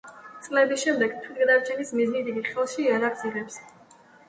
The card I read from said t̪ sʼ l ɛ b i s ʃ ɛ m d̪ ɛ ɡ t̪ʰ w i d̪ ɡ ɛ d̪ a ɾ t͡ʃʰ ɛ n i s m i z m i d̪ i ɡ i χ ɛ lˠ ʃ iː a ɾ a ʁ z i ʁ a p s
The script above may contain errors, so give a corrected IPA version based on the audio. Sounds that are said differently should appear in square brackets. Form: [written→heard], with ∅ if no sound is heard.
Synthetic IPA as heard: t̪ sʼ l ɛ b i s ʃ ɛ m d̪ ɛ ɡ t̪ʰ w i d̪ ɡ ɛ d̪ a ɾ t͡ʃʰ ɛ n i s m i z [m→n] i d̪ i ɡ i χ ɛ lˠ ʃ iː a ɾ a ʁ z i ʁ [a→ɛ] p s